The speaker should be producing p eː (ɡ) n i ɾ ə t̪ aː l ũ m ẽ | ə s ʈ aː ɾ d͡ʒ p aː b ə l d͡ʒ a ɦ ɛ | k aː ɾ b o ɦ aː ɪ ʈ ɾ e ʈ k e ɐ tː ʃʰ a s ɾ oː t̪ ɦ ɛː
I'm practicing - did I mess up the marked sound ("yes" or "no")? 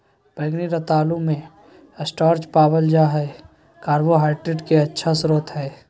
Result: no